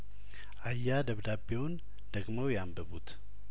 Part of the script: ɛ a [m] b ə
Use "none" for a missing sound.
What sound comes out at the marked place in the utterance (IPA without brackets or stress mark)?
m